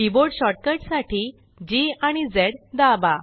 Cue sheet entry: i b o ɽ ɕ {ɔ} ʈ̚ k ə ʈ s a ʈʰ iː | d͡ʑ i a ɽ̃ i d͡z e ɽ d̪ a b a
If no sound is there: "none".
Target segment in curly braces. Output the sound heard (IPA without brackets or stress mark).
ɔ